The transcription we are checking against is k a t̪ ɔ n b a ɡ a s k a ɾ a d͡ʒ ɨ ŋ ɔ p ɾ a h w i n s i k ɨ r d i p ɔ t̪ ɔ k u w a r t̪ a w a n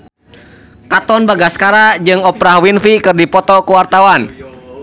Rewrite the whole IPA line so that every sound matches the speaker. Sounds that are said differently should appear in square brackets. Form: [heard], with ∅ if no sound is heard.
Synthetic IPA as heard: k a t̪ ɔ n b a ɡ a s k a ɾ a d͡ʒ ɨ ŋ ɔ p ɾ a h w i n [f] i k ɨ r d i p ɔ t̪ ɔ k u w a r t̪ a w a n